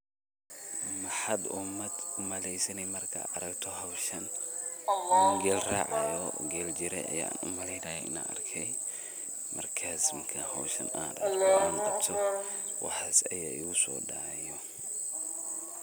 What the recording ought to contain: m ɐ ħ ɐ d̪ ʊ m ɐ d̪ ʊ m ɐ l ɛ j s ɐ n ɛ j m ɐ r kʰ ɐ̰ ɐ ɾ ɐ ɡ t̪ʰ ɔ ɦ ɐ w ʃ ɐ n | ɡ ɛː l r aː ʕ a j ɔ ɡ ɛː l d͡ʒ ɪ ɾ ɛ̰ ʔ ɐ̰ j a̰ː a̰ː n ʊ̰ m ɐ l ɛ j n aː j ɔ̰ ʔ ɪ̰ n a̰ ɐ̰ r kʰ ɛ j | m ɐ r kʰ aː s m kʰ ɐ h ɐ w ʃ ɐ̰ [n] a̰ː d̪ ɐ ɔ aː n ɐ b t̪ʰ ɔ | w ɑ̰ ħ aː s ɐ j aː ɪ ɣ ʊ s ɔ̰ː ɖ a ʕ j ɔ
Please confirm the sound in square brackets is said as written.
yes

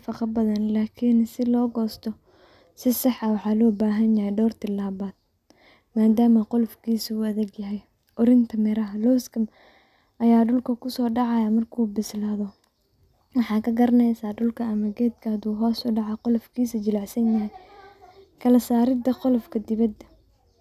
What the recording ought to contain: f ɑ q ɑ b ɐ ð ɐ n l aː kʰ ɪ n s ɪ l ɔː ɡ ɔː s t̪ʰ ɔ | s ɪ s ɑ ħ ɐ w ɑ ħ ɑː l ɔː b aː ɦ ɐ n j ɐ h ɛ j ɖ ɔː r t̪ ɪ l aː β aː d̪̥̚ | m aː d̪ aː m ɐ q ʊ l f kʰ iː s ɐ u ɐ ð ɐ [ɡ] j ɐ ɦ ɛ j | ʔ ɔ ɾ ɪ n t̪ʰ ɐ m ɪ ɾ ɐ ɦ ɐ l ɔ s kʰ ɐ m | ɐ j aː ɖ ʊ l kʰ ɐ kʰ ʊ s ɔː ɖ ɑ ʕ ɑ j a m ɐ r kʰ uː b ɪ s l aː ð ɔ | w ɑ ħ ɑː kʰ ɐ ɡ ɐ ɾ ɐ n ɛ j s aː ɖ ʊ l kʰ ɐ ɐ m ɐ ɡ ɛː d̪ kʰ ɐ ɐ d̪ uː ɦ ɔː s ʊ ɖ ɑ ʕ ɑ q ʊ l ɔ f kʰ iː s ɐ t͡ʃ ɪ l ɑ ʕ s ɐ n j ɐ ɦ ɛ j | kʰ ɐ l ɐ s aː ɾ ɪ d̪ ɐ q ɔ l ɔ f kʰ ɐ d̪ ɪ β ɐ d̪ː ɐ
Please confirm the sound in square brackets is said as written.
yes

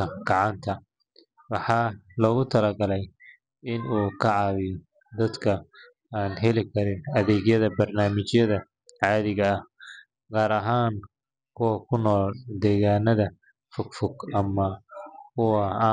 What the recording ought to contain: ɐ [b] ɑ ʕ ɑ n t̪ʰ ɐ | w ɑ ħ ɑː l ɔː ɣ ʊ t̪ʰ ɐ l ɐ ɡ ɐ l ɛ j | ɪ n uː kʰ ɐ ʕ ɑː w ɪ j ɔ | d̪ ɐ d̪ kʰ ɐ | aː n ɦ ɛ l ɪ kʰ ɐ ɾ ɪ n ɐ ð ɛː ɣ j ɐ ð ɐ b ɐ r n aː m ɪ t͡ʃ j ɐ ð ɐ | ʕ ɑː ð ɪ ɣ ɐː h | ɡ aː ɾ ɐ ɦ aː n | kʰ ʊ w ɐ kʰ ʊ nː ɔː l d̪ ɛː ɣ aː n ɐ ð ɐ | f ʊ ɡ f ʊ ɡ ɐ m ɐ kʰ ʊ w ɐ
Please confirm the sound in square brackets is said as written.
no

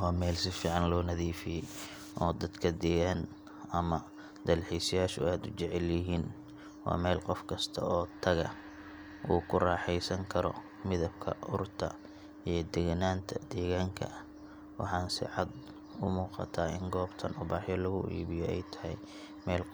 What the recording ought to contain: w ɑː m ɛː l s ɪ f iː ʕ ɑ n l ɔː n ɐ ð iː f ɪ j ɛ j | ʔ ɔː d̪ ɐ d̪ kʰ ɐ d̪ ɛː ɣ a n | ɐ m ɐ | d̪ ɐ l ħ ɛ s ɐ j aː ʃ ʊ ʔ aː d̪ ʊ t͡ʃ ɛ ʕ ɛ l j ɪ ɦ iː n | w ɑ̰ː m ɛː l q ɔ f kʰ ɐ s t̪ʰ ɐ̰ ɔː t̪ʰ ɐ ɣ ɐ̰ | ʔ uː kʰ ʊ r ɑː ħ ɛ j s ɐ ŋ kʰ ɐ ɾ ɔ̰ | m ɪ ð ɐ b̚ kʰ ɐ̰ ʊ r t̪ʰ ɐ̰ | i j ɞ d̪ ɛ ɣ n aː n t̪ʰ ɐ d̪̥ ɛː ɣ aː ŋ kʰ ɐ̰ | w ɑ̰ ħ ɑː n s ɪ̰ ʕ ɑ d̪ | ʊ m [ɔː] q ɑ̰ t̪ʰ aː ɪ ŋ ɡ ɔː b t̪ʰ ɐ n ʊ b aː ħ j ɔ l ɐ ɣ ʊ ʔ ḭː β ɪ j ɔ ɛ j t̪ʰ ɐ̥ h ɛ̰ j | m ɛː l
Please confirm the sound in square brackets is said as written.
no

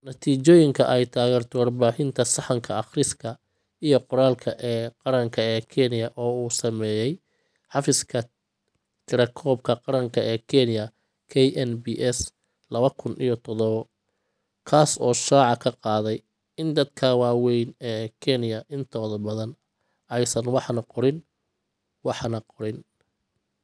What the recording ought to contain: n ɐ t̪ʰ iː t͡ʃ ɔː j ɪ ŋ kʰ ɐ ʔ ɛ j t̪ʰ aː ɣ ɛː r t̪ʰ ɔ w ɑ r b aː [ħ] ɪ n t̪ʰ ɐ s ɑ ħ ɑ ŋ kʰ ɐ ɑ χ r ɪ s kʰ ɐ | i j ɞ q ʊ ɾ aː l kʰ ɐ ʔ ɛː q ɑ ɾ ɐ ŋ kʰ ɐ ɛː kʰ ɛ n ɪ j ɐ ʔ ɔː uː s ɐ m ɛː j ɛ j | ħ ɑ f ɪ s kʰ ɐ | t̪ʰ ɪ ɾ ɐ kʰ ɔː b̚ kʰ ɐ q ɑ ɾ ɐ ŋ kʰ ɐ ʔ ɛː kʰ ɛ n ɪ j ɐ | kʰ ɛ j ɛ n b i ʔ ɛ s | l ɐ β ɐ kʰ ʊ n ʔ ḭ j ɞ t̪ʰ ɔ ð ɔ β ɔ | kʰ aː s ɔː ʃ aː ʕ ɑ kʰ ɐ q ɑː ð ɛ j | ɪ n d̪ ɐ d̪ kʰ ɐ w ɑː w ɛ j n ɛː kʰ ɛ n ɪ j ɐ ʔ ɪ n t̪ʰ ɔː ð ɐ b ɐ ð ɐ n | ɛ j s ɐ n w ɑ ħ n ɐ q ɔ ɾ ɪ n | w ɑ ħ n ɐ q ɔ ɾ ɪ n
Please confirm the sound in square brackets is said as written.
yes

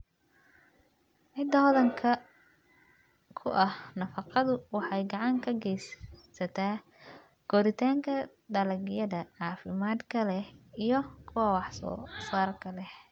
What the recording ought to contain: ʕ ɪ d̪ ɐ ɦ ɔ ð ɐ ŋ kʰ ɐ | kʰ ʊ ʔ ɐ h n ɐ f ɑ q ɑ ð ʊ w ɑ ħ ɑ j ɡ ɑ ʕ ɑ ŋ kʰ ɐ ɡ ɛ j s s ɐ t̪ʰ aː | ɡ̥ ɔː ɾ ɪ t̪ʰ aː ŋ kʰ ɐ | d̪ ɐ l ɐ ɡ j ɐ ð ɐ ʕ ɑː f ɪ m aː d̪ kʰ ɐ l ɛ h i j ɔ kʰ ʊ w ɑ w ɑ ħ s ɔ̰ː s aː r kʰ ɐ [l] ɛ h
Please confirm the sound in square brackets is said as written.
yes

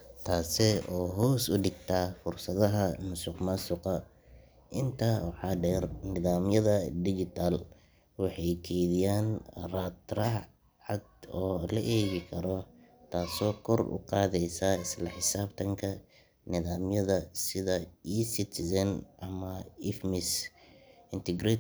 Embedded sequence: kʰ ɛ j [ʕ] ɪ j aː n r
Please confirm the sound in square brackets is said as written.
no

